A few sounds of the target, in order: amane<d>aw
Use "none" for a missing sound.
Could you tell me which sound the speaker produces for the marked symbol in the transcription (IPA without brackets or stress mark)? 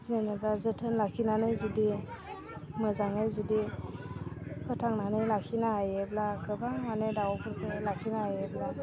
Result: d